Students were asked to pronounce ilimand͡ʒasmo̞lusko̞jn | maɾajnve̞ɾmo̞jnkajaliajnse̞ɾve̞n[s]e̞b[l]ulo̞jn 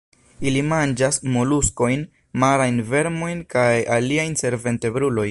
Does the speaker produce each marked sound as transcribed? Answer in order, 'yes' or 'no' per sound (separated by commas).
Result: no, no